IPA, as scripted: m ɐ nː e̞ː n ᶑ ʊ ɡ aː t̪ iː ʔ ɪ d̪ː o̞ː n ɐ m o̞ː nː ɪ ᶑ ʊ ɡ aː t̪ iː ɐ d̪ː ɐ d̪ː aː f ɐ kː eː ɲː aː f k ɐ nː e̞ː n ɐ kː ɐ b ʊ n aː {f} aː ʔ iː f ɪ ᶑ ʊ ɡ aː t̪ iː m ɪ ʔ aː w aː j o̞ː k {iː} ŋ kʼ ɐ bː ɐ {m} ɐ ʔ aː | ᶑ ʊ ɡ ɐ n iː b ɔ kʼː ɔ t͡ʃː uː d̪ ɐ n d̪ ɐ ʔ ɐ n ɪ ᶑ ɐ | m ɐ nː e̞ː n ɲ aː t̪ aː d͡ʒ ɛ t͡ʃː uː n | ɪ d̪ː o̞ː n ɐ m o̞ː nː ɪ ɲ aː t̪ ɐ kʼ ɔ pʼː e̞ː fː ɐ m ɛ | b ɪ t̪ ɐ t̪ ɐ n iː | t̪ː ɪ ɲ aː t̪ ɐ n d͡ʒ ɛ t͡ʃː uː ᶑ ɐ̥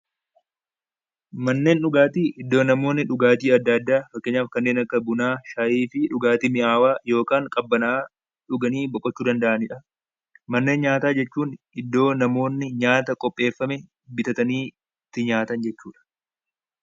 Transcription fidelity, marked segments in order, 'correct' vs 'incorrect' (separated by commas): incorrect, incorrect, incorrect